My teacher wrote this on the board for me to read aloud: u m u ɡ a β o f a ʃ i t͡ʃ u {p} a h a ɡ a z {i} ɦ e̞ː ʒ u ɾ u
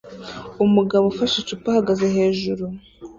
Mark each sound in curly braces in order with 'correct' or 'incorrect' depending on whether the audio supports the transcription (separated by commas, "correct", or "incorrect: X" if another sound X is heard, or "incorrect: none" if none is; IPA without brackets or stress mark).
correct, incorrect: e